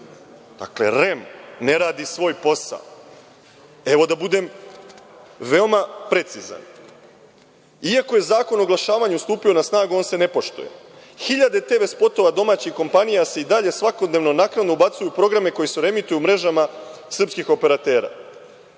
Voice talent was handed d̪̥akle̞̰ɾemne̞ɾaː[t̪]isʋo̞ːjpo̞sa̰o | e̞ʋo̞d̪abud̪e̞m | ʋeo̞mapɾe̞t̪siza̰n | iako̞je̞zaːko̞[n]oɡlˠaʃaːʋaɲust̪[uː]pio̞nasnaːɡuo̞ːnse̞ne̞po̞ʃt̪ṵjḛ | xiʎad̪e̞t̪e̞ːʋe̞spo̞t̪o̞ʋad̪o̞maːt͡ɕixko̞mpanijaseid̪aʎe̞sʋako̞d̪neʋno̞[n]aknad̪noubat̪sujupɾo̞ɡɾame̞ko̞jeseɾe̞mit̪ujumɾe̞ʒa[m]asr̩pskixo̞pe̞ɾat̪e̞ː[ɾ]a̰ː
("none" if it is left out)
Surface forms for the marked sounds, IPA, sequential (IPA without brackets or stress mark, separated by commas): d̪, n, uː, n, m, ɾ